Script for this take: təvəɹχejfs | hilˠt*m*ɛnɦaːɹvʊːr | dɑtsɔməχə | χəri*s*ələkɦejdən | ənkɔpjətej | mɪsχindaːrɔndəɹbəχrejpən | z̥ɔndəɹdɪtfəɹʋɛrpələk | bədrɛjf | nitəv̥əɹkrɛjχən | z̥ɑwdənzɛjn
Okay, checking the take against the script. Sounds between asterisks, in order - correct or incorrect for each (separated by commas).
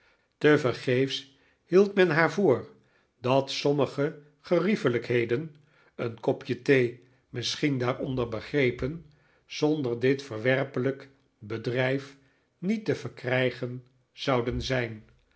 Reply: correct, incorrect